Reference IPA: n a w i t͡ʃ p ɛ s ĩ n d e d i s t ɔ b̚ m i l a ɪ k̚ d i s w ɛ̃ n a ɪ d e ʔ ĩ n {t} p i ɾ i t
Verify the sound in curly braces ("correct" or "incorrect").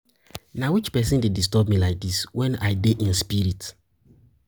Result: incorrect